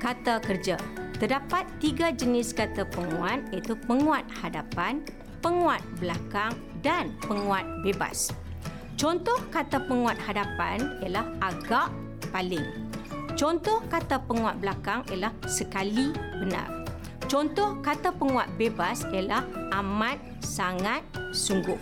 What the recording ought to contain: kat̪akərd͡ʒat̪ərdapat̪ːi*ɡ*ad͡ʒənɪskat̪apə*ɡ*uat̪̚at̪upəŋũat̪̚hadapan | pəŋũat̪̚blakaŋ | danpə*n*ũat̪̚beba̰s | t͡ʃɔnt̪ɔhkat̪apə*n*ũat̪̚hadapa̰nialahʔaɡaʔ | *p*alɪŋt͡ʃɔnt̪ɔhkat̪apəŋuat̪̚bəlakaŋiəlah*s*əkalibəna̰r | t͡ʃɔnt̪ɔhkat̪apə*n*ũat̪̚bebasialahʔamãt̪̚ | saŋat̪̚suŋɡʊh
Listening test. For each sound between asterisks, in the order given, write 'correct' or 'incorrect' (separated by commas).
correct, incorrect, incorrect, incorrect, correct, correct, incorrect